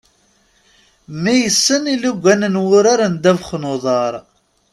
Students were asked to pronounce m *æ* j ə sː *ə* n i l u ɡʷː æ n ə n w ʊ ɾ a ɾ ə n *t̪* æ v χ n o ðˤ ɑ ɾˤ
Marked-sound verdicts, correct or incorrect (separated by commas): incorrect, correct, incorrect